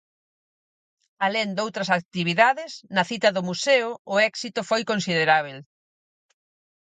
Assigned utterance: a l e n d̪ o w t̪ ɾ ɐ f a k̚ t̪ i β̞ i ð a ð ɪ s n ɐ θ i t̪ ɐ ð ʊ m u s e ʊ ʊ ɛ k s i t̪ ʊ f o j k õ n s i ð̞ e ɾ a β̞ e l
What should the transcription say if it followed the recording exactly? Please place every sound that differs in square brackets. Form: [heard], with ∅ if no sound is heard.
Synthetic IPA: a l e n d̪ o w t̪ ɾ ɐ [s] a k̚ t̪ i β̞ i ð a ð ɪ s n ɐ θ i t̪ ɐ ð ʊ m u s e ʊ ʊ ɛ k s i t̪ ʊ f o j k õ n s i ð̞ e ɾ a β̞ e l